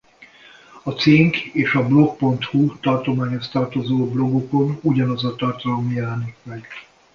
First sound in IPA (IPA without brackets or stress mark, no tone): ɒ